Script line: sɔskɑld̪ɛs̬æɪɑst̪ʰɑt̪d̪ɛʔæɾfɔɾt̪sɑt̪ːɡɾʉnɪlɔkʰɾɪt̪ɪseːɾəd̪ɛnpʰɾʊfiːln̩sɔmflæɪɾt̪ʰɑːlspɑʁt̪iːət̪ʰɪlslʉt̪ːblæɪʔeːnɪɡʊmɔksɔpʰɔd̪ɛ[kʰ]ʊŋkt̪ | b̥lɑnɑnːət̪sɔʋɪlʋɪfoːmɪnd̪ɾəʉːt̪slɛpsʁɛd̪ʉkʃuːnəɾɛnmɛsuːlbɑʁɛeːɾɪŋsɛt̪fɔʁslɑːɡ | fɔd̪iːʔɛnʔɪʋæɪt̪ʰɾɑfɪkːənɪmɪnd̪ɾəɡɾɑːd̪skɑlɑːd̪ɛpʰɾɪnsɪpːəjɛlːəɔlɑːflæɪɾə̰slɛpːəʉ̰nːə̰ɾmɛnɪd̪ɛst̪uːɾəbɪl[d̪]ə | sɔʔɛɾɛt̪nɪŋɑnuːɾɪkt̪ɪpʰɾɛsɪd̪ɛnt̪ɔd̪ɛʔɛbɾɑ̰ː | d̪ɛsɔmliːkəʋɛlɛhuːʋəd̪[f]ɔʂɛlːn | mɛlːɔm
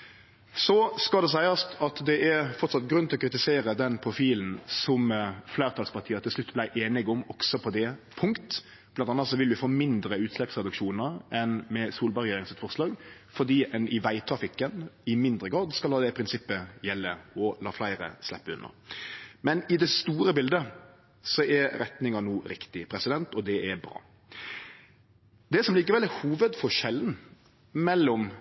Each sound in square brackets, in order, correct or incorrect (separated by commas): incorrect, correct, correct